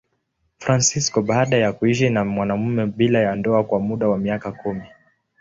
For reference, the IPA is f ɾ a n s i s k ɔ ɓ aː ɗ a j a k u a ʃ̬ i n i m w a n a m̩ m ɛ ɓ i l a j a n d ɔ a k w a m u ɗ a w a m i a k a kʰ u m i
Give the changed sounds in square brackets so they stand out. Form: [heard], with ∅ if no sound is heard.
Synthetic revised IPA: f ɾ a n s i s k ɔ ɓ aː ɗ a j a k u [i] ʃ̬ i n [a] m w a n a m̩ m ɛ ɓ i l a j a n d ɔ a k w a m u ɗ a w a m i a k a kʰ u m i